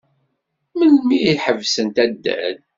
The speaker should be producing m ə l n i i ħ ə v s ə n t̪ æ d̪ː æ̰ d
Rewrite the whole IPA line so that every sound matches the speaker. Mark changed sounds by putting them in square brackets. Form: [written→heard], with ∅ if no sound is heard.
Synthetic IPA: m ə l [n→m] i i ħ ə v s ə n t̪ æ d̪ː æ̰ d